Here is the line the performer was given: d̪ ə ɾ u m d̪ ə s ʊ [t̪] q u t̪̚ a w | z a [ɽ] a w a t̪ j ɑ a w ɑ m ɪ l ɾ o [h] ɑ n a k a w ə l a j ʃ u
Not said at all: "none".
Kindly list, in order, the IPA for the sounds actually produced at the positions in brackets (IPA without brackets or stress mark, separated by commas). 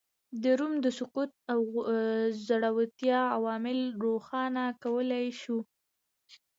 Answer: none, ɽ, x